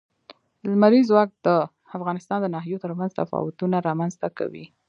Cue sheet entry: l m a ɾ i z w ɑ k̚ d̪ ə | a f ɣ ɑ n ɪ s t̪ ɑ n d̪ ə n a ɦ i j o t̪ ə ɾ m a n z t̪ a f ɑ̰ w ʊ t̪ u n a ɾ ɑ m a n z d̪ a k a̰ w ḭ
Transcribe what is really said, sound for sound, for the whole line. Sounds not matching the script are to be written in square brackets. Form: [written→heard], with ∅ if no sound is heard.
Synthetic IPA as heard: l m a ɾ i z w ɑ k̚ d̪ ə | a f ɣ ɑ n ɪ s t̪ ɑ n d̪ ə n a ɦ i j o t̪ ə ɾ m a n z t̪ a f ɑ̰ w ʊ t̪ u n a ɾ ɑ m a n z [d̪→t̪] a k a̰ w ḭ